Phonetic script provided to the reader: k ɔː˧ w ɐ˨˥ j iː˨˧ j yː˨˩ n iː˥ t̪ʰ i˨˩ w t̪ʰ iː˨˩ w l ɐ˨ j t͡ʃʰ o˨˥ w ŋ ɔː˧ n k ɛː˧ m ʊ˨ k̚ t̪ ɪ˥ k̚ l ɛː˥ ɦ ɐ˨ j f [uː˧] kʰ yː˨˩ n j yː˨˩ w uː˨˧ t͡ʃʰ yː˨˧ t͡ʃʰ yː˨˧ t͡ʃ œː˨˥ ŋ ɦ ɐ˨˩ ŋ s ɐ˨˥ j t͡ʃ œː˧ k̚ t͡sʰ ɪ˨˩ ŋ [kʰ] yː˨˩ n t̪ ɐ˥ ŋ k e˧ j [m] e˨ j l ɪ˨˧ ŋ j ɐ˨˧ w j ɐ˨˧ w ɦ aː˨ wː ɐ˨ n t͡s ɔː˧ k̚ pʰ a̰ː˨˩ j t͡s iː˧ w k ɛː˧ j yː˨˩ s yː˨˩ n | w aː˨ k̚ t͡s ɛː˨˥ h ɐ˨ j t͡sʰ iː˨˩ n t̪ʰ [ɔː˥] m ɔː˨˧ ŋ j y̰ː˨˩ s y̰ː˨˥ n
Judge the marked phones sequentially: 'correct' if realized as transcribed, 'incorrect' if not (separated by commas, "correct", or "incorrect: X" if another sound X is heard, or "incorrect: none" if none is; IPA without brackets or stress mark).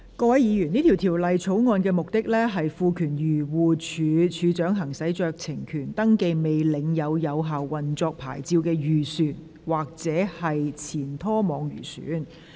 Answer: correct, correct, correct, correct